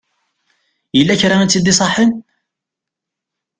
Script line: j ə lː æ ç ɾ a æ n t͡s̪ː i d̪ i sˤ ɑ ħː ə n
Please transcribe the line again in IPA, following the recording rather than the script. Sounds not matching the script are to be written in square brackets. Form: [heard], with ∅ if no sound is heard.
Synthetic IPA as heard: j ə lː æ ç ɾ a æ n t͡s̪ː i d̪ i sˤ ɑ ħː ə n